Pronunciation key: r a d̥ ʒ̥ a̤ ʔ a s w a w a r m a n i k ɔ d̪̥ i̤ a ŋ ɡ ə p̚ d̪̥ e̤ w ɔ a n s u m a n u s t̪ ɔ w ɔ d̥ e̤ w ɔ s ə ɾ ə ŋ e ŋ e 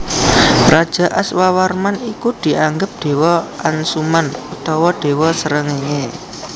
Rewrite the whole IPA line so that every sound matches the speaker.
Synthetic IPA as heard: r a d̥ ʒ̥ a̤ ʔ a s w a w a r m a n i k u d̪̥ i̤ a ŋ ɡ ə p̚ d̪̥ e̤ w ɔ a n s u m a n u t̪ ɔ w ɔ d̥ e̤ w ɔ s ə ɾ ə ŋ e ŋ e